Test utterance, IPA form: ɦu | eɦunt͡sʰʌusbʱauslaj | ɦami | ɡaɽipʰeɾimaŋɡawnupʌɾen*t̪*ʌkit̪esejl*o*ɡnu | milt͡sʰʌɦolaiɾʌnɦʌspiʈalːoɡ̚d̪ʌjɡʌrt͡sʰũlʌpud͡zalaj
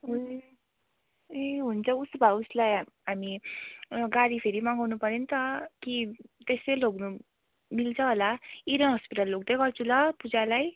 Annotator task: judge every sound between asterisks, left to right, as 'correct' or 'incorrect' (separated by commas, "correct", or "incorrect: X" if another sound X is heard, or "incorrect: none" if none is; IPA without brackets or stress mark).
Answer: correct, correct